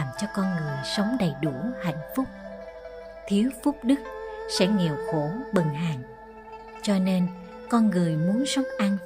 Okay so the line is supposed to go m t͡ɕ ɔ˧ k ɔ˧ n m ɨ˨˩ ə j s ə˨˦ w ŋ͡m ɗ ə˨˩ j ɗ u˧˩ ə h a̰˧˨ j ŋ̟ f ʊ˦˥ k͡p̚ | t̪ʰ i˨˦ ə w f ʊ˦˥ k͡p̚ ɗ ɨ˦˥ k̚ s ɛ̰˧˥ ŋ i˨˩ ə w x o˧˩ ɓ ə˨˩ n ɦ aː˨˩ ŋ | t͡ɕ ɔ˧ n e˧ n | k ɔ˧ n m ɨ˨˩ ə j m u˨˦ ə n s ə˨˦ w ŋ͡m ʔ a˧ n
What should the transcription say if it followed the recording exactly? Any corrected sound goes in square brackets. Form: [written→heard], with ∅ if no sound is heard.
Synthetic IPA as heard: m t͡ɕ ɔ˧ k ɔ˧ n [m→ŋ] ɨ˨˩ ə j s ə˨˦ w ŋ͡m ɗ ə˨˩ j ɗ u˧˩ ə h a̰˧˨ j ŋ̟ f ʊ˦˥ k͡p̚ | t̪ʰ i˨˦ ə w f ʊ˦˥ k͡p̚ ɗ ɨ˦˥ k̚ s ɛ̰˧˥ ŋ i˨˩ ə w x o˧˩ ɓ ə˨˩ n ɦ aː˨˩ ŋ | t͡ɕ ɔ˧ n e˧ n | k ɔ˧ n [m→ŋ] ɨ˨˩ ə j m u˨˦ ə n s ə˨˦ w ŋ͡m ʔ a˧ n